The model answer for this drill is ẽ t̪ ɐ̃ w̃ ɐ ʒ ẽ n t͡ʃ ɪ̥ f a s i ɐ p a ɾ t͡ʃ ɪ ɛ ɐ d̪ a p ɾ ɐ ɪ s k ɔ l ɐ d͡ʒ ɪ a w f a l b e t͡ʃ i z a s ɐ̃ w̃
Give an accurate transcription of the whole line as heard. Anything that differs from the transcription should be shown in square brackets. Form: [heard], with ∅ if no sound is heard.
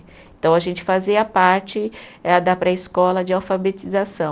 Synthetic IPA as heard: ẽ t̪ ɐ̃ w̃ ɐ ʒ ẽ n t͡ʃ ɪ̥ f a [z] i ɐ p a ɾ t͡ʃ ɪ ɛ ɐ d̪ a p ɾ ɐ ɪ s k ɔ l ɐ d͡ʒ ɪ a w f a [∅] b e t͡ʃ i z a s ɐ̃ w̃

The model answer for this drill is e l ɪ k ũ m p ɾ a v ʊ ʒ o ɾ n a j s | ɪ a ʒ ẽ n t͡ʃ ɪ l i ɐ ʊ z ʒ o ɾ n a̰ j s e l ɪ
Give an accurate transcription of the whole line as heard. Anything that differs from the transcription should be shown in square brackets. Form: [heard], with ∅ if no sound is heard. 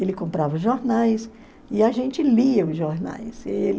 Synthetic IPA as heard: e l ɪ k [õ] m p ɾ a v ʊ ʒ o ɾ n a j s | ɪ a ʒ ẽ n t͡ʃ ɪ l i ɐ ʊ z ʒ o ɾ n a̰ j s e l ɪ

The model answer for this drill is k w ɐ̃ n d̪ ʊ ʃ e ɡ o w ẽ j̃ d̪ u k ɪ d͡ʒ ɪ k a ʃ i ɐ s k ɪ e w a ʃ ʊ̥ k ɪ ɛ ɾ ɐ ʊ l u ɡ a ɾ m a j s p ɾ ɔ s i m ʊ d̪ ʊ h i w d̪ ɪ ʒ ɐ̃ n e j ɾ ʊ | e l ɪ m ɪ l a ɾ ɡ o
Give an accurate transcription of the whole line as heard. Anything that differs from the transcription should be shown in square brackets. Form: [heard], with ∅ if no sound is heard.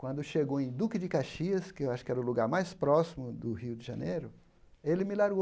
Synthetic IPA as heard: k w ɐ̃ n d̪ ʊ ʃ e ɡ o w ẽ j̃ d̪ u k ɪ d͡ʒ ɪ k a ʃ i ɐ s k ɪ e w a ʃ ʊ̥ k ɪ ɛ ɾ ɐ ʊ l u ɡ a ɾ m a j s p ɾ ɔ s i m ʊ d̪ ʊ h i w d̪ ɪ ʒ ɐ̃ n e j ɾ ʊ | e l ɪ m ɪ l a ɾ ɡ o

